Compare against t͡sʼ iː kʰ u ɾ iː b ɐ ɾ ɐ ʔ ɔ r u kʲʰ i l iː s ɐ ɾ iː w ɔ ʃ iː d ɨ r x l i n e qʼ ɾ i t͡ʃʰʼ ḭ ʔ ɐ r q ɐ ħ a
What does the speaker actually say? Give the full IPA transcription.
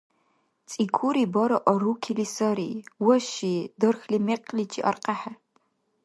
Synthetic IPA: t͡sʼ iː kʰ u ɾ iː b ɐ ɾ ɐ ʔ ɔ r u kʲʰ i l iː s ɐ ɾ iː w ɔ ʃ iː d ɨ r x l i m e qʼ l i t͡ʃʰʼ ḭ ʔ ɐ r q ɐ ħ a